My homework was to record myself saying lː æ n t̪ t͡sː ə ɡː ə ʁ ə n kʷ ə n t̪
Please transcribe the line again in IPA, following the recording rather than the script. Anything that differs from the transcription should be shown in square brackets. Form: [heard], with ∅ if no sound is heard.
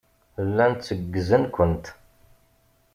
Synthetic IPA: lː æ n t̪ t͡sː ə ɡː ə [z] ə n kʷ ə n t̪